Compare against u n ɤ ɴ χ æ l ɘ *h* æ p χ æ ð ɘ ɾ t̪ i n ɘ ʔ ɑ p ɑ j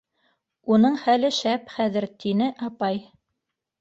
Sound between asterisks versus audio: incorrect: ʃ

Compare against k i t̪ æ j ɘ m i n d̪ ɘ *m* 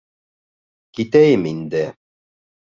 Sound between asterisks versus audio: incorrect: none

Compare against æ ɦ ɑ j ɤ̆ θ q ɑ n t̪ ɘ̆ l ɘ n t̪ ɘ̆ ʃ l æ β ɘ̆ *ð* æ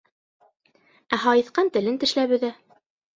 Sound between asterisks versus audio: correct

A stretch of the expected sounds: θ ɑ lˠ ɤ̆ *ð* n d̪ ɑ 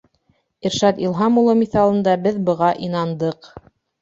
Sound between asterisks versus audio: incorrect: none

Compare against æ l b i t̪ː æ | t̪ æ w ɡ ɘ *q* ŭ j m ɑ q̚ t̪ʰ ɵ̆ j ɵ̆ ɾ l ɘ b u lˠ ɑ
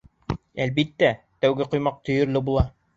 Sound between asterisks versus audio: correct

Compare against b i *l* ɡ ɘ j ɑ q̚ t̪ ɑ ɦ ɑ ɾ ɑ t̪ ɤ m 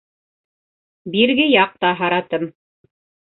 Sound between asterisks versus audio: incorrect: ɾ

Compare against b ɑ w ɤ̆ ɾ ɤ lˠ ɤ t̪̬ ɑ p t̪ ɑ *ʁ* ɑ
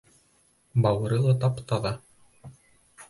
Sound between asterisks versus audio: incorrect: ð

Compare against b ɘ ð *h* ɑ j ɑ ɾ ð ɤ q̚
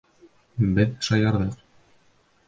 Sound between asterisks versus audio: incorrect: ʃ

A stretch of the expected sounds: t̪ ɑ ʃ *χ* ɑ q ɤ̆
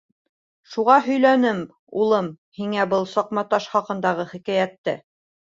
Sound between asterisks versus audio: correct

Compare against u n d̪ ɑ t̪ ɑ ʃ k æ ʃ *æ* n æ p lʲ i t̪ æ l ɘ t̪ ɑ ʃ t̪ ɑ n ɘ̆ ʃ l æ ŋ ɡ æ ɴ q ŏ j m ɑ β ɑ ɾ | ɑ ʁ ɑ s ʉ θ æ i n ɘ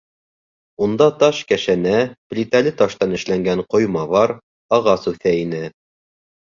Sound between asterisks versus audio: correct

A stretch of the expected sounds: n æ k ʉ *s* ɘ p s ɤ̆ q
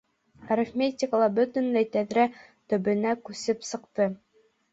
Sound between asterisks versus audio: correct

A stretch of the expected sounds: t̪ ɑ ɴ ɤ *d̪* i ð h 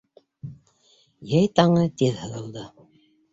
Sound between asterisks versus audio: incorrect: t̪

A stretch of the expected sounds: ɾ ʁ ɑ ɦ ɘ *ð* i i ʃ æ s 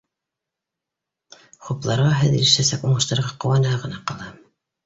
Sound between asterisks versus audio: correct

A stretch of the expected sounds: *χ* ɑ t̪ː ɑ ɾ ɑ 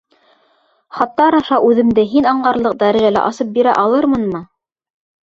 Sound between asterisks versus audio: correct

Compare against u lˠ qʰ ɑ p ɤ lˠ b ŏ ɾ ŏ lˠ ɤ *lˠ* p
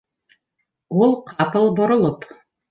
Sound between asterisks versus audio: incorrect: none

